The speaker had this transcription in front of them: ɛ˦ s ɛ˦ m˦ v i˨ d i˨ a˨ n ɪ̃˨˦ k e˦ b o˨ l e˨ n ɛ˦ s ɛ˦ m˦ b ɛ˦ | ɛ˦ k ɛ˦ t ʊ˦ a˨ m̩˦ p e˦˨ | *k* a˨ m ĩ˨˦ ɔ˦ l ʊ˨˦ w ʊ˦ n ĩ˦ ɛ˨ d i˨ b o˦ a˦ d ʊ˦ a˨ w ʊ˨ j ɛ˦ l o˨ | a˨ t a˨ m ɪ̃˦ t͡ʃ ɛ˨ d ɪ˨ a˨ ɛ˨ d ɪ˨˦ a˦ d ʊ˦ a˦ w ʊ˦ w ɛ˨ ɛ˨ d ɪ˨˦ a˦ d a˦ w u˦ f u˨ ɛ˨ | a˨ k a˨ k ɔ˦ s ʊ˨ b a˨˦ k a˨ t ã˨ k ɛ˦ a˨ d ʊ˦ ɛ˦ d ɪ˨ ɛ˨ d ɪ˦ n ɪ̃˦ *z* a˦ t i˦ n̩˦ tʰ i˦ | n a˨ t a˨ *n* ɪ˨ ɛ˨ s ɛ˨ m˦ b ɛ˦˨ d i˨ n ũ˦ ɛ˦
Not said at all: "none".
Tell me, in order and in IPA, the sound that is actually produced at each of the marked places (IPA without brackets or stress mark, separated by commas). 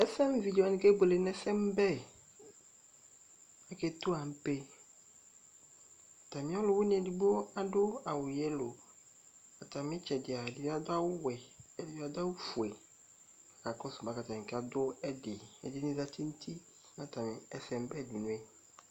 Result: t, z, m